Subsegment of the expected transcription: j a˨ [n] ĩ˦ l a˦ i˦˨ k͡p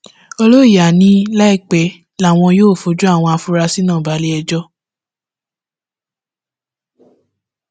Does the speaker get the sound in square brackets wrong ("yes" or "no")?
no